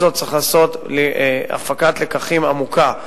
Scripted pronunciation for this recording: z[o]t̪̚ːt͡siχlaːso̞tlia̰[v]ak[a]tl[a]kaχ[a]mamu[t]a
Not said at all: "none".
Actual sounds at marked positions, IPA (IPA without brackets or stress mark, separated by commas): o, f, a, e, i, k